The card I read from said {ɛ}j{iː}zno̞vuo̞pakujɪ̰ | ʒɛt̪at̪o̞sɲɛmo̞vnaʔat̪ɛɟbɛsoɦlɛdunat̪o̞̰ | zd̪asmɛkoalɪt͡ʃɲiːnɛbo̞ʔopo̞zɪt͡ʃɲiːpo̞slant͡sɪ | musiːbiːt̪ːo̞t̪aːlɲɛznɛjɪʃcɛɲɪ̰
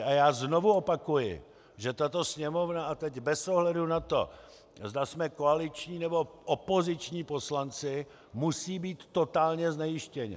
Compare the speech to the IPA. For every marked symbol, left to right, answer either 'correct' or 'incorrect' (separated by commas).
incorrect, incorrect